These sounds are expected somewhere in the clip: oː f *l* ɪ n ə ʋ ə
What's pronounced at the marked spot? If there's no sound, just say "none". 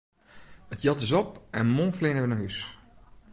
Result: l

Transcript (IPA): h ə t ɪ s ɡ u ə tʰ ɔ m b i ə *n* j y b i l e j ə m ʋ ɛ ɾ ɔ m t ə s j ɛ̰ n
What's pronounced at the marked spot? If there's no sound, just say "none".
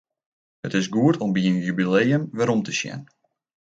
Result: n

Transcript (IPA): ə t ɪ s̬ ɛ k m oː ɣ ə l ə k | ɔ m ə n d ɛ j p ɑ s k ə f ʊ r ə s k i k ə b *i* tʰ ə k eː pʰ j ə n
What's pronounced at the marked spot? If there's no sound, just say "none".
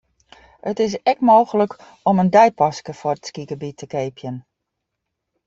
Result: i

